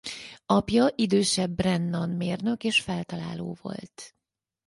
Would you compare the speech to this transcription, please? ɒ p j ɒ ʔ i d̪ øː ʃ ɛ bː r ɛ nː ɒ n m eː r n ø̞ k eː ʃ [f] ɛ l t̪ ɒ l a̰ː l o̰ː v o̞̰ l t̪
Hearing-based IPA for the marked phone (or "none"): f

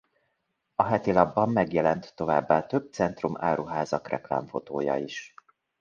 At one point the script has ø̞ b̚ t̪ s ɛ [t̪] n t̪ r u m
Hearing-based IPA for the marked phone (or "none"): none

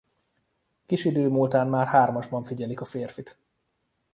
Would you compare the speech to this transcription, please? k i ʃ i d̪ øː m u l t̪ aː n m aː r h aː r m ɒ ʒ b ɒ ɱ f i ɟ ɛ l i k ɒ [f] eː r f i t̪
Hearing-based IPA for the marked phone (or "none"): f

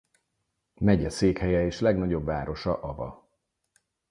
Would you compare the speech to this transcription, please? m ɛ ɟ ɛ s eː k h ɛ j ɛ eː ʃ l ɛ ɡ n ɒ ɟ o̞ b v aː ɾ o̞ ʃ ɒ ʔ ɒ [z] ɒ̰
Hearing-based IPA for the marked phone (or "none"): v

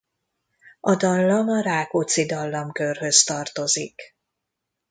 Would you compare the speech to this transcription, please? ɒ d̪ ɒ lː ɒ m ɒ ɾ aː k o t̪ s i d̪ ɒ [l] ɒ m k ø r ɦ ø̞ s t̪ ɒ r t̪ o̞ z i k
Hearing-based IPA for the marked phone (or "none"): lː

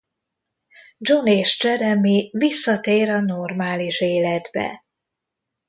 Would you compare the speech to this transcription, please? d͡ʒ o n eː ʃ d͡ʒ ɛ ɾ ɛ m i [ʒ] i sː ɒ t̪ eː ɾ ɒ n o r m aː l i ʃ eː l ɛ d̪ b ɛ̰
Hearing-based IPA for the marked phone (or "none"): v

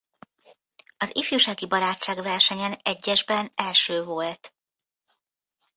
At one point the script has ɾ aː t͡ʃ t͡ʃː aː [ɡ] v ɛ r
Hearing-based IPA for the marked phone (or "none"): ɡ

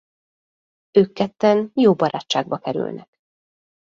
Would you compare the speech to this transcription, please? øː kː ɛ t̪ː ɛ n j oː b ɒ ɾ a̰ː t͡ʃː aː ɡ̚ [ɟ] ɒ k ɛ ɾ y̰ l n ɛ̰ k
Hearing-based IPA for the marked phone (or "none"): b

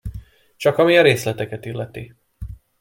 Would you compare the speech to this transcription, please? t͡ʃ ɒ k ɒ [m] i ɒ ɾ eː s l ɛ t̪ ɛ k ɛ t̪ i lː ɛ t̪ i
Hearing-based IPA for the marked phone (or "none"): m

